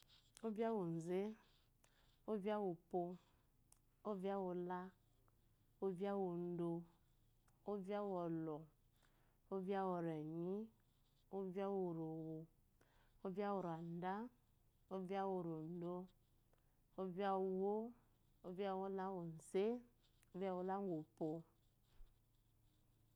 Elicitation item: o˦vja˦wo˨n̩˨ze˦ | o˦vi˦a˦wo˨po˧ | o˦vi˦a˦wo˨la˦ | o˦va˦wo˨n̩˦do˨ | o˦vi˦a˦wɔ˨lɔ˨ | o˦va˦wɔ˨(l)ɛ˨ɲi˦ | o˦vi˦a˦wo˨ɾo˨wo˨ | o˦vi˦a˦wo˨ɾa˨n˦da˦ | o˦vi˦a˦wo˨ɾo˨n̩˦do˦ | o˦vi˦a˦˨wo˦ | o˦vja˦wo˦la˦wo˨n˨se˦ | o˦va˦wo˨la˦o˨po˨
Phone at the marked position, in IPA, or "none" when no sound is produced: ɾ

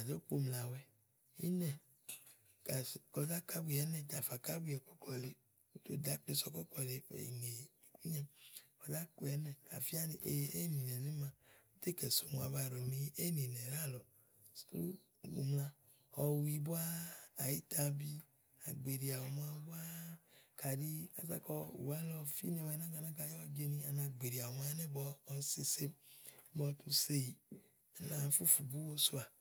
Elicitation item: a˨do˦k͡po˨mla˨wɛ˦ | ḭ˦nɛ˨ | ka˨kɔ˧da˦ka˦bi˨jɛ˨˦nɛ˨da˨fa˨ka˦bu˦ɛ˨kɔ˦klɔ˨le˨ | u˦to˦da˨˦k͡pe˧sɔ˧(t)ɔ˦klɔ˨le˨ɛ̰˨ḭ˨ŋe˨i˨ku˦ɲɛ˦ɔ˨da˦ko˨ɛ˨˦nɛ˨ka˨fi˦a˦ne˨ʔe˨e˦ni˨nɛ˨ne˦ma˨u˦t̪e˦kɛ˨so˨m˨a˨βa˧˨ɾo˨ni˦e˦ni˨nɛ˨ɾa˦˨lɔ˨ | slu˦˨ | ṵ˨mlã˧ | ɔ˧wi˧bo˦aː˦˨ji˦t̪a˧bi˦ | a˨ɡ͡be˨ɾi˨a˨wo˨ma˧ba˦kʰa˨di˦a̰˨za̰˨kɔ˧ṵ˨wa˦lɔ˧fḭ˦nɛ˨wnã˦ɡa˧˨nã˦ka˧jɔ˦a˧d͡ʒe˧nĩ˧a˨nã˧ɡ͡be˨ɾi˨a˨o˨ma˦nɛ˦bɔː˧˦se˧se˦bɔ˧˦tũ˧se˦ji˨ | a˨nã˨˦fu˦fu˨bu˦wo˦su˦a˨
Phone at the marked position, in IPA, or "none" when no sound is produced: k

